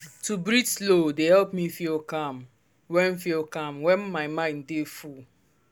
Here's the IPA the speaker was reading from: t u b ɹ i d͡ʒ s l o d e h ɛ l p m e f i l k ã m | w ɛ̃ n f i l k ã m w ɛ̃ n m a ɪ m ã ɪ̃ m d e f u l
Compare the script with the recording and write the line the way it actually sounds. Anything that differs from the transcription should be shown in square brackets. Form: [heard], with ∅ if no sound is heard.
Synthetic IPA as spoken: t u b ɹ i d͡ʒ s l o d e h ɛ l p m [i] f i l k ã m | w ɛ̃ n f i l k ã m w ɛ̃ n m a ɪ m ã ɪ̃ [n] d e f u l

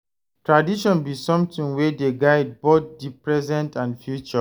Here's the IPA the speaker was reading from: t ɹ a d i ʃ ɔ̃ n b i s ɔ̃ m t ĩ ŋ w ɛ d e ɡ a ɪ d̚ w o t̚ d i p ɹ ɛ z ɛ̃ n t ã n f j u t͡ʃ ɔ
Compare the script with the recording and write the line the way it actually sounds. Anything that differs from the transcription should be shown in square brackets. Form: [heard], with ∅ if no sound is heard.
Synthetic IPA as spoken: t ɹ a d i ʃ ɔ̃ n b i s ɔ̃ m t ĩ ŋ w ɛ d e ɡ a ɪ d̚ [b] o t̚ d i p ɹ ɛ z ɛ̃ n t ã n f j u t͡ʃ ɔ

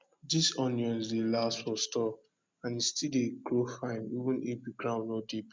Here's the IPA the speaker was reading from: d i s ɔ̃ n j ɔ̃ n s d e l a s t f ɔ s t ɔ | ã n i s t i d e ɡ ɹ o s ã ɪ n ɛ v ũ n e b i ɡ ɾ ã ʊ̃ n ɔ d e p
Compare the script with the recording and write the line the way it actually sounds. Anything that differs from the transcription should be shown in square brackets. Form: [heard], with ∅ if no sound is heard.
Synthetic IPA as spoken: d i s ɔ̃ n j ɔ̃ n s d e l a s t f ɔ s t ɔ | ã n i s t i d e ɡ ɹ o [f] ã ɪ n [i] v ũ n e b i ɡ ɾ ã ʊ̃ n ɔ d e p

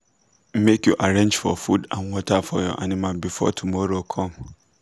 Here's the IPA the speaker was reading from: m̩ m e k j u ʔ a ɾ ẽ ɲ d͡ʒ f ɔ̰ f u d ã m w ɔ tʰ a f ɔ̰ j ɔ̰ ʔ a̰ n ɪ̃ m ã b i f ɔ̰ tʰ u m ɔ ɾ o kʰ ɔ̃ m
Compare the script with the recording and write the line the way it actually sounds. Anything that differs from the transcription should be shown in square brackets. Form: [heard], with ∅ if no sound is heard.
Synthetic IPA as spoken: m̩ m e k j u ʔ a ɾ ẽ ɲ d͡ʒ f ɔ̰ f u d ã [n] w ɔ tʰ a f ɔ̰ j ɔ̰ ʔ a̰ n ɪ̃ m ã b i f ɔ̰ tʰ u m ɔ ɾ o kʰ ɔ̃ m

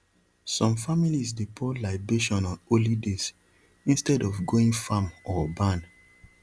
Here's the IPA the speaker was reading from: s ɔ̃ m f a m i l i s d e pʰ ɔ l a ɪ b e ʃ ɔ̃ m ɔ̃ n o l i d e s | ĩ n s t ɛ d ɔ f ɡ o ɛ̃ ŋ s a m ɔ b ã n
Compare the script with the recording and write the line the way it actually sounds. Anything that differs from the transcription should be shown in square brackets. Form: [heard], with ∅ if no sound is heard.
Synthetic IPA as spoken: s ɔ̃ m f a m i l i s d e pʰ ɔ l a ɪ b e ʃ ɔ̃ [n] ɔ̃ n o l i d e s | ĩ n s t ɛ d ɔ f ɡ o [ĩ] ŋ [f] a m ɔ b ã n

